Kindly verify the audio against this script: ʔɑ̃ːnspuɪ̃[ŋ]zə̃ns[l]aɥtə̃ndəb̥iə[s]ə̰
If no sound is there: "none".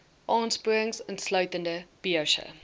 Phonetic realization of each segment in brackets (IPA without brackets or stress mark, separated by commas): ŋ, l, ʃ